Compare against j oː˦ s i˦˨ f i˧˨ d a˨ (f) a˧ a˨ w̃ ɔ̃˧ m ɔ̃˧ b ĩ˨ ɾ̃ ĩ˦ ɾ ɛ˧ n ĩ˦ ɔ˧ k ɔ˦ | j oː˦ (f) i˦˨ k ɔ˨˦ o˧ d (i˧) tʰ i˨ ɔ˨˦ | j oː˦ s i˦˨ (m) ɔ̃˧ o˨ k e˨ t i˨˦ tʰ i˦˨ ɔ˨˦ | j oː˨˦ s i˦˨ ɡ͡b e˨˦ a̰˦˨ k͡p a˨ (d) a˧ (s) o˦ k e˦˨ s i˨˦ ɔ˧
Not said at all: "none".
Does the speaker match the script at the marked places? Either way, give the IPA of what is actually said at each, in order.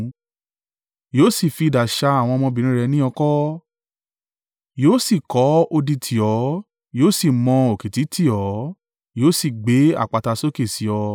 ʃ, s, i˧, m, t, s

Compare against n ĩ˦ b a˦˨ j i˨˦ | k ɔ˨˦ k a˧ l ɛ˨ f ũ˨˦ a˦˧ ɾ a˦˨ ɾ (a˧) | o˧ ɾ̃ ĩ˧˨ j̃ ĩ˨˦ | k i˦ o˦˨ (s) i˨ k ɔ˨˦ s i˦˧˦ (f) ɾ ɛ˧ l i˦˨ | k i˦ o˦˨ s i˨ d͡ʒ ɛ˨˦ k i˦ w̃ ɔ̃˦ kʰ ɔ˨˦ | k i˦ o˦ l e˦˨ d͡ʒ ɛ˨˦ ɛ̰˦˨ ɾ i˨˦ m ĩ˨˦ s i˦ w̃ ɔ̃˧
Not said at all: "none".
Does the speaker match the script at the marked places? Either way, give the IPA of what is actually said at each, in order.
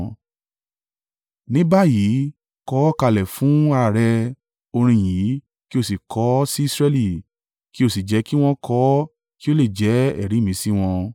ɛ˧, s, s

